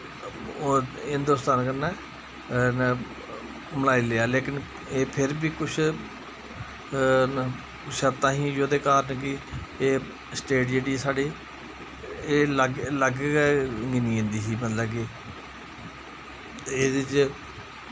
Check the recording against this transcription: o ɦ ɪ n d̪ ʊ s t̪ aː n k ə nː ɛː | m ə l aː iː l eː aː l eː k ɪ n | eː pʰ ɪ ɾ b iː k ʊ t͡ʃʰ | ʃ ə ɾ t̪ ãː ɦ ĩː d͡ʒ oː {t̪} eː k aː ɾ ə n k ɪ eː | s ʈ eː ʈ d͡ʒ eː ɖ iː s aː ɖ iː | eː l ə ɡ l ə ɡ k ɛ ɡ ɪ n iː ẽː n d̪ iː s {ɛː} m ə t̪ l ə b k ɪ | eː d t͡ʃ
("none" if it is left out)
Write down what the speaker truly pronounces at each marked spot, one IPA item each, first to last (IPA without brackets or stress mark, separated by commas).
d̪, iː